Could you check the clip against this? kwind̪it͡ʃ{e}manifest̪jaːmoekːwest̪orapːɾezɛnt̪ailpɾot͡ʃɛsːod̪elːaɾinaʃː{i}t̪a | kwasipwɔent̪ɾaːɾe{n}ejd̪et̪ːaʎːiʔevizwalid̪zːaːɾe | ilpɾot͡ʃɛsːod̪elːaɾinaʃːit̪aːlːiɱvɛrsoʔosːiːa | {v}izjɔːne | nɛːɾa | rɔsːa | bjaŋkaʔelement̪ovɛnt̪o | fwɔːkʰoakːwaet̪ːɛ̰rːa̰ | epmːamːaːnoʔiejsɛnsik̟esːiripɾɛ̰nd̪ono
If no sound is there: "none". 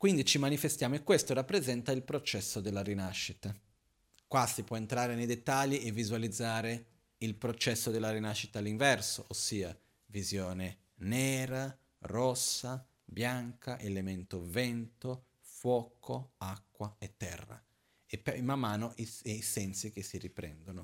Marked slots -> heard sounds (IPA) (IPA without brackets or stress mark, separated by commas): i, i, n, v